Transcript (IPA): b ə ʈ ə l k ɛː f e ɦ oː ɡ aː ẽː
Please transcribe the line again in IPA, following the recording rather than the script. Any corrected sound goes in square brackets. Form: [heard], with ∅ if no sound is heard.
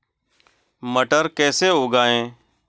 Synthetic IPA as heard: [m] ə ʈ ə [ɾ] k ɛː [s] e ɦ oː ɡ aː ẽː